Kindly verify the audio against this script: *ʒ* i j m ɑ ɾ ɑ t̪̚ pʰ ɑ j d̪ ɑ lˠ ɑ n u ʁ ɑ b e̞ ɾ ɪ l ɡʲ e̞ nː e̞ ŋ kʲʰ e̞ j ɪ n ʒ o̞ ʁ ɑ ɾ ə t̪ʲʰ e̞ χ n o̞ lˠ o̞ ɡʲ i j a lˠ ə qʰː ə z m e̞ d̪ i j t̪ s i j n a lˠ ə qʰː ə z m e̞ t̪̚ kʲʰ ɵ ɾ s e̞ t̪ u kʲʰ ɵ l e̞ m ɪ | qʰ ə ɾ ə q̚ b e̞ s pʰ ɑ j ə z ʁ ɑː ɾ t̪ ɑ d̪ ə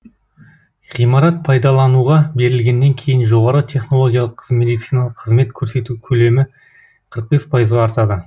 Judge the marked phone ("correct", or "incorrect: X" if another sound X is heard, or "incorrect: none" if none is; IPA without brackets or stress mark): incorrect: ʁ